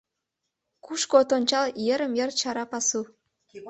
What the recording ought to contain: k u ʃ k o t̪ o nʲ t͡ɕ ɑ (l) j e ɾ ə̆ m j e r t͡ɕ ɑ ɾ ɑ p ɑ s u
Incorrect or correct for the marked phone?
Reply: correct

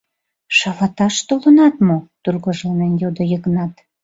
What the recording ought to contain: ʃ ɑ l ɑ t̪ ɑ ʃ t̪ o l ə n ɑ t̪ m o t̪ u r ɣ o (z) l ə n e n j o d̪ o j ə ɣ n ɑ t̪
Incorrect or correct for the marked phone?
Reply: incorrect: ʒ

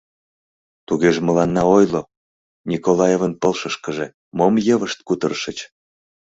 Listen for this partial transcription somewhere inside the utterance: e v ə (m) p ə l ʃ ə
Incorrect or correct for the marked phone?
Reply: incorrect: n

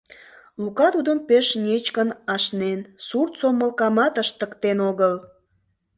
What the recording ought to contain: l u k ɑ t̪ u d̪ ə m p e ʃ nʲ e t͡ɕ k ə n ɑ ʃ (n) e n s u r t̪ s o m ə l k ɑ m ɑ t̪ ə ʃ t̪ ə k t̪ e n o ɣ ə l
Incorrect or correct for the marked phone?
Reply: correct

